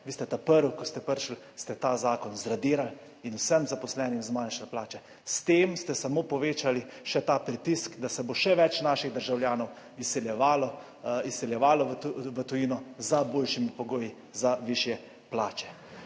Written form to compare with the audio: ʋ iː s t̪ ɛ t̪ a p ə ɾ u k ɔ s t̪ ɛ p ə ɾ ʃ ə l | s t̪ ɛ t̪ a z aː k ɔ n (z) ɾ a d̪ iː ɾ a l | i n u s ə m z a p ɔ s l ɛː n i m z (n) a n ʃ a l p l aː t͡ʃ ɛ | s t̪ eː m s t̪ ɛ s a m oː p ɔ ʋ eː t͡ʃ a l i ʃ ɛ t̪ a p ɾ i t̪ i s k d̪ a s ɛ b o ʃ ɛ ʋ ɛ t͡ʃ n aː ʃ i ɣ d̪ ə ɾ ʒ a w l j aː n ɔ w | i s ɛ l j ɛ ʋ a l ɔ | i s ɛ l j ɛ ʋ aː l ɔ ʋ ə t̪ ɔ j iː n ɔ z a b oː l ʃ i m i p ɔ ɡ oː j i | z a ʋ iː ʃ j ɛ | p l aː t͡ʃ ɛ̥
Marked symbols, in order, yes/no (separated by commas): yes, no